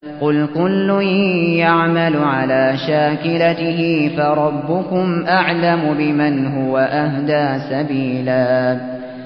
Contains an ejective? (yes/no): no